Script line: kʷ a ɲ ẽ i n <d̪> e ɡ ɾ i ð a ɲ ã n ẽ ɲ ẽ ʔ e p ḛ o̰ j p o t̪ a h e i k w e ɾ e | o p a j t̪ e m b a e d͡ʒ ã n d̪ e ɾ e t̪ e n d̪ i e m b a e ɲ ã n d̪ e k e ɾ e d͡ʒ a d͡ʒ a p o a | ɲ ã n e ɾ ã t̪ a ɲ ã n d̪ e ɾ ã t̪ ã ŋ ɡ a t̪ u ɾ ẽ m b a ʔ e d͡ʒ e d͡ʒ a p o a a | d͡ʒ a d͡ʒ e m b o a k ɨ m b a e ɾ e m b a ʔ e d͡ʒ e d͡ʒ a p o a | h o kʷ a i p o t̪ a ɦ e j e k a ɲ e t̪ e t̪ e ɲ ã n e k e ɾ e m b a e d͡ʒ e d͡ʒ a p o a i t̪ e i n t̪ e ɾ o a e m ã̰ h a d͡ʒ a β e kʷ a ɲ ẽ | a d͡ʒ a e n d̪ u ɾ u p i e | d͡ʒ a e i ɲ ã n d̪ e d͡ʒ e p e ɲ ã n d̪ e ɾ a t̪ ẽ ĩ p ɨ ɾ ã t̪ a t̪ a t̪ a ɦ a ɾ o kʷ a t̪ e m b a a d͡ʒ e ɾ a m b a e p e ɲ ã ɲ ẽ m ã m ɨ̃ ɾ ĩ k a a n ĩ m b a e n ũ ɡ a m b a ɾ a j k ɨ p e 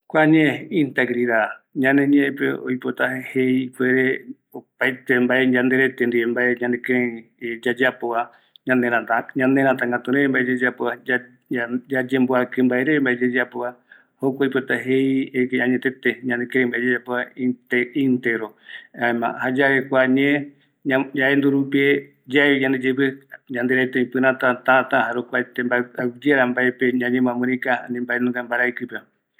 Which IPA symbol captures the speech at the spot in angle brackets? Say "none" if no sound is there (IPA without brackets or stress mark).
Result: t̪